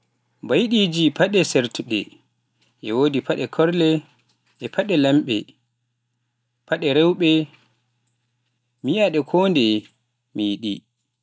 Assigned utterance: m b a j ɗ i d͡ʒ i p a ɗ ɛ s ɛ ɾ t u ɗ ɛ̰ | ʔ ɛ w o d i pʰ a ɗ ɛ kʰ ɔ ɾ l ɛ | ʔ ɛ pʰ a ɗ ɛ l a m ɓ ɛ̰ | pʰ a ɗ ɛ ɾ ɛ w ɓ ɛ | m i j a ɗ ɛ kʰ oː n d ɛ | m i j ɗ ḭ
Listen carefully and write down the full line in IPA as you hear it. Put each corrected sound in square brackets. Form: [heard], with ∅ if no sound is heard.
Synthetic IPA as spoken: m b a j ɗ i d͡ʒ i p a ɗ ɛ s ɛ ɾ t u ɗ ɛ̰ | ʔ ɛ w o d i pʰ a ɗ ɛ kʰ ɔ ɾ l ɛ | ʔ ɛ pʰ a ɗ ɛ l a m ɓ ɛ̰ | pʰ a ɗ ɛ ɾ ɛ w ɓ ɛ | m i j a ɗ ɛ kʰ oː n d ɛ | m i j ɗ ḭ